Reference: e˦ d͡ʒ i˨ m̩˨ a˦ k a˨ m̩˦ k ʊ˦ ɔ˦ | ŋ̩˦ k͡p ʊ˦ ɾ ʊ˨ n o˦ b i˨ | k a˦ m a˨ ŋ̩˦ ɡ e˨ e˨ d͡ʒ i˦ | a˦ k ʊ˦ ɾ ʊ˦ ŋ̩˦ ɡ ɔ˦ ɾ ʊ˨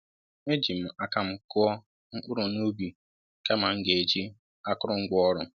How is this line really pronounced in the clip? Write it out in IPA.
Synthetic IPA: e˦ d͡ʒ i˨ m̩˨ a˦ k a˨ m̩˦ k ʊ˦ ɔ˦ | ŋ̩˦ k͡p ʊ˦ ɾ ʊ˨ n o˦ b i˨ | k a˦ m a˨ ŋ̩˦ ɡ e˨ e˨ d͡ʒ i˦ | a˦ k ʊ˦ ɾ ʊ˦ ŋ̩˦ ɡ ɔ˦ ɾ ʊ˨